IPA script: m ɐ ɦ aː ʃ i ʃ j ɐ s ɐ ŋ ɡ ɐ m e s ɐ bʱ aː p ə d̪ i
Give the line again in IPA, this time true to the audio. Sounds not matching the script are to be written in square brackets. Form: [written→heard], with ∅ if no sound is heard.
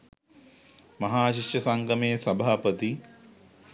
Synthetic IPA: m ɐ ɦ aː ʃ i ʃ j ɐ s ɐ ŋ ɡ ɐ m e s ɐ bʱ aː p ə [d̪→t̪] i